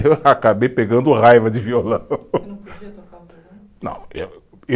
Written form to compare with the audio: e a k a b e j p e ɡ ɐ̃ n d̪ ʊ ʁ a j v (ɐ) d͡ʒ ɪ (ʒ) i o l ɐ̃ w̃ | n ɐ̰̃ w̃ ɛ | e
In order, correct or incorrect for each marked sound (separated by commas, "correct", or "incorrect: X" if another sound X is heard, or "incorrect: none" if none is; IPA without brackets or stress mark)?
correct, incorrect: v